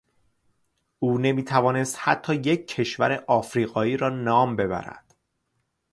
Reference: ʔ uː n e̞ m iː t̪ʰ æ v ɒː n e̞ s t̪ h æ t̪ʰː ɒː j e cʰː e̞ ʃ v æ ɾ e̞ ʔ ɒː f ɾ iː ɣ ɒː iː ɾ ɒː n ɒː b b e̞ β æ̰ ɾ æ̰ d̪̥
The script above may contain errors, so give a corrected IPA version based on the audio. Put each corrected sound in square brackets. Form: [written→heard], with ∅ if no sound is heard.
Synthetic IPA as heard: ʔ uː n e̞ m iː t̪ʰ æ v ɒː n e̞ s t̪ h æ t̪ʰː ɒː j e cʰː e̞ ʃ v æ ɾ e̞ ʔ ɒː f ɾ iː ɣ ɒː iː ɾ ɒː n ɒː [b→m] b e̞ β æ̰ ɾ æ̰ d̪̥